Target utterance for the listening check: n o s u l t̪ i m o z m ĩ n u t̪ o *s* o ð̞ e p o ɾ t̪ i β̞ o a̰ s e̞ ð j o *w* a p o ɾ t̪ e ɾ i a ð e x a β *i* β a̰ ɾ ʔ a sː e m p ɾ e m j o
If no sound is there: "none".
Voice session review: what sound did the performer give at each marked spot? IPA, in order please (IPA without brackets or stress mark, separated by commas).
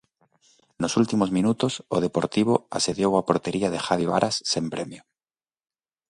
s, w, i